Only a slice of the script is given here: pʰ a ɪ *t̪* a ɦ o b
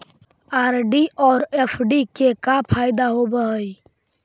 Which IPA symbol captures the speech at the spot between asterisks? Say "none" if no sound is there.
d̪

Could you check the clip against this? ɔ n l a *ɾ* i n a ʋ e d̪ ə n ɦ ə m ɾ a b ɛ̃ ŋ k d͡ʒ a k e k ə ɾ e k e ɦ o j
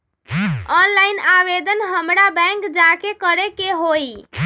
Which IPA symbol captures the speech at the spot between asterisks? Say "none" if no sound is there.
none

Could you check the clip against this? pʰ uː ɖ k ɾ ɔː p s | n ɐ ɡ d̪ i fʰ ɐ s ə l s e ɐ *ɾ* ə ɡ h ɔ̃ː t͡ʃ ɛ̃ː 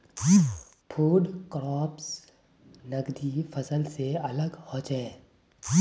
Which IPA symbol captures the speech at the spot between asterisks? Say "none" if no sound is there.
l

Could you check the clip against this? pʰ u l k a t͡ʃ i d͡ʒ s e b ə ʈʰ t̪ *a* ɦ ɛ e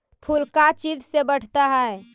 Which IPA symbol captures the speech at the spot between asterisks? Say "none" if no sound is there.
a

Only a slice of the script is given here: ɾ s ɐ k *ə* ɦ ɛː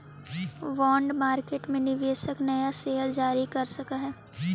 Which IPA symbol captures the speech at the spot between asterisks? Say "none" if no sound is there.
a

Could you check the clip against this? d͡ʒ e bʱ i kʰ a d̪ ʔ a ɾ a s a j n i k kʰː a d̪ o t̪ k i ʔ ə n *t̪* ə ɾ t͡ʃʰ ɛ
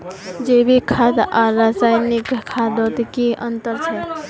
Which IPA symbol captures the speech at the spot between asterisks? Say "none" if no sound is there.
t̪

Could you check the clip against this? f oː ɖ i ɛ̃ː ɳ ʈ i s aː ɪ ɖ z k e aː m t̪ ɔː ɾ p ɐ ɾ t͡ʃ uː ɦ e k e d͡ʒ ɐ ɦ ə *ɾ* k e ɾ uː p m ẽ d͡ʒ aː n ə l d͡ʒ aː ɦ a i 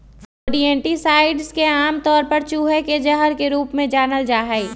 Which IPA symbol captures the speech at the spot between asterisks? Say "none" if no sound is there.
ɾ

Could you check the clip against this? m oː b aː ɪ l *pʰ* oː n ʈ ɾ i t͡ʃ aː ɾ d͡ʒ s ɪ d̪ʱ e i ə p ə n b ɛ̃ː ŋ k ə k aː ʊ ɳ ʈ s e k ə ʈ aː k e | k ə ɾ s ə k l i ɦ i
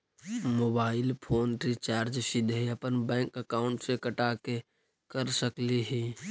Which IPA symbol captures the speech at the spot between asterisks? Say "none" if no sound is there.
pʰ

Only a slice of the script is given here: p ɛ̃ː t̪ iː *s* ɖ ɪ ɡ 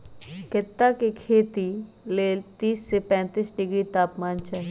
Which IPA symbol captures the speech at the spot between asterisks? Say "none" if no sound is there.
s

